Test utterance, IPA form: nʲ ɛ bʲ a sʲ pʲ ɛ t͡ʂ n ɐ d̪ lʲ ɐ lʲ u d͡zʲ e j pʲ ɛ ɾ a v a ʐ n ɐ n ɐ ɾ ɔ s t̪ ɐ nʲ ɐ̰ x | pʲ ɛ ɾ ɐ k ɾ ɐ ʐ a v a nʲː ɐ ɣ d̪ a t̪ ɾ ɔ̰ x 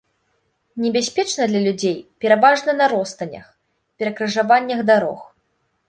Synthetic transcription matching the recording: nʲ ɛ bʲ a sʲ pʲ ɛ t͡ʂ n ɐ d̪ lʲ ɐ lʲ u d͡zʲ e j pʲ ɛ ɾ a v a ʐ n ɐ n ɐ ɾ ɔ s t̪ ɐ nʲ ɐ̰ x | pʲ ɛ ɾ ɐ k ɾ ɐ ʐ a v a nʲː ɐ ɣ d̪ a ɾ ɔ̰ x